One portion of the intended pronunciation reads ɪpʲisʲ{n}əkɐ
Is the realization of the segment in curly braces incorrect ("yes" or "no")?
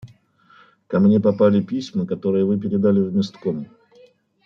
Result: yes